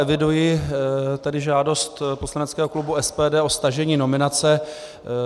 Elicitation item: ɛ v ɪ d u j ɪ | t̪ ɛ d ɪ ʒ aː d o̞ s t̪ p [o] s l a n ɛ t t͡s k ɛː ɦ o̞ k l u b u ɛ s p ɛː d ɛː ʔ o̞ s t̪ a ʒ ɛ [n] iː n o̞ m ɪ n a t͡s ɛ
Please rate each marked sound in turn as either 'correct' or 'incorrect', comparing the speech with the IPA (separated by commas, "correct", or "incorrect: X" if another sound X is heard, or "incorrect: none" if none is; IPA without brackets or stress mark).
correct, incorrect: ɲ